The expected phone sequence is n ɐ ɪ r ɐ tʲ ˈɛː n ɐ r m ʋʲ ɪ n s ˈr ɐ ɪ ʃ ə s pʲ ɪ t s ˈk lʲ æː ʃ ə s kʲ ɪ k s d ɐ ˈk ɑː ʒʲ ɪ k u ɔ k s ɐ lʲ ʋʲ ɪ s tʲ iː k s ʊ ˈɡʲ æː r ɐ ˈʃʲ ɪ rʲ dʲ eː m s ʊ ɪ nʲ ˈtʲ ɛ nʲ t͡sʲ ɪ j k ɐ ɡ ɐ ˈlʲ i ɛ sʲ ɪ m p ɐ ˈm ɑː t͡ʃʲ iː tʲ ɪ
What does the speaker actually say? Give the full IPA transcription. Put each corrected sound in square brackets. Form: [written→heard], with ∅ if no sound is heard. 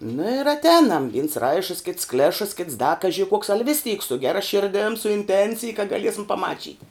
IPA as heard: n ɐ ɪ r ɐ tʲ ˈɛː n ɐ [r→∅] m ʋʲ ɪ n s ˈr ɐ ɪ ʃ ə s [pʲ→kʲ] ɪ t s ˈk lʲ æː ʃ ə s kʲ ɪ [k→t] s d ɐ ˈk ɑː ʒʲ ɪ k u ɔ k s ɐ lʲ ʋʲ ɪ s tʲ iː k s ʊ ˈɡʲ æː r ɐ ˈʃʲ ɪ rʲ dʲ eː m s ʊ ɪ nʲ ˈtʲ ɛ nʲ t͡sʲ ɪ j k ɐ ɡ ɐ ˈlʲ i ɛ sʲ ɪ m p ɐ ˈm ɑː t͡ʃʲ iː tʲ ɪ

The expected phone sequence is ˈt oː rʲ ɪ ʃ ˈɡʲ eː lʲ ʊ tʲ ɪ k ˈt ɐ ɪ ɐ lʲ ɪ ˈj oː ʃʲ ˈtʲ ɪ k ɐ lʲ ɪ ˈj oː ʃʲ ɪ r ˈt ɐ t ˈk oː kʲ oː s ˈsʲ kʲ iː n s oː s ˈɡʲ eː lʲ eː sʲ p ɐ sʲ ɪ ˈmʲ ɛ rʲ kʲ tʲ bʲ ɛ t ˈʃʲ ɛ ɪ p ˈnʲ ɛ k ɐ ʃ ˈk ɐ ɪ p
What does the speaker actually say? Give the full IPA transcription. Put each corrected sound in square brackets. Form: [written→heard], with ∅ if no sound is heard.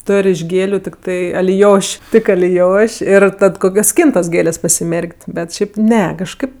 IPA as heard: ˈt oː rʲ ɪ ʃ ˈɡʲ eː lʲ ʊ tʲ ɪ k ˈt ɐ ɪ ɐ lʲ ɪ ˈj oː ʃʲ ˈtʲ ɪ k ɐ lʲ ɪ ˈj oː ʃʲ ɪ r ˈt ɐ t ˈk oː kʲ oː s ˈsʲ kʲ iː n [s→t] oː s ˈɡʲ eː lʲ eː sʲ p ɐ sʲ ɪ ˈmʲ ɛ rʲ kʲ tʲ bʲ ɛ t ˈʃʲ ɛ ɪ p ˈnʲ ɛ k ɐ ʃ ˈk ɐ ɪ p

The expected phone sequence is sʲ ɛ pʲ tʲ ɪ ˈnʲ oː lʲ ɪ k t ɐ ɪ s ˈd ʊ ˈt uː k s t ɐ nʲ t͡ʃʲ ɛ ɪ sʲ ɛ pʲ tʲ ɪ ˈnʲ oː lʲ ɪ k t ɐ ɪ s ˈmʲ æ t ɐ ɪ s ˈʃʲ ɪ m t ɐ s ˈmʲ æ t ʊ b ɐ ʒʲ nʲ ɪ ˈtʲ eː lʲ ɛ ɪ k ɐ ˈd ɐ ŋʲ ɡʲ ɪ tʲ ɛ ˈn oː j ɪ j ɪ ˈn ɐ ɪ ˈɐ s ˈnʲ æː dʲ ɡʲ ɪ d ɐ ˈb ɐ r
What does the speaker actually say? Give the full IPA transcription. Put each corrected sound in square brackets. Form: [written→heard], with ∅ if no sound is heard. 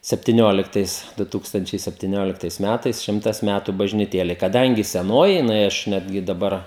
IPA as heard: sʲ ɛ pʲ tʲ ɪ ˈnʲ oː lʲ ɪ k t ɐ ɪ s ˈd ʊ ˈt uː k s t ɐ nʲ t͡ʃʲ ɛ ɪ sʲ ɛ pʲ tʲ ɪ ˈnʲ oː lʲ ɪ k t ɐ ɪ s ˈmʲ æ t ɐ ɪ s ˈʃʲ ɪ m t ɐ s ˈmʲ æ t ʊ b ɐ ʒʲ nʲ ɪ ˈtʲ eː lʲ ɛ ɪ k ɐ ˈd ɐ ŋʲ ɡʲ ɪ [tʲ→sʲ] ɛ ˈn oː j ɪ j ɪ ˈn ɐ ɪ ˈɐ [s→ʃ] ˈnʲ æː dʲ ɡʲ ɪ d ɐ ˈb ɐ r

